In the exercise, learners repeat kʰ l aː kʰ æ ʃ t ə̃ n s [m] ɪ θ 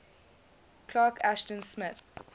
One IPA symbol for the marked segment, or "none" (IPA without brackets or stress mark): m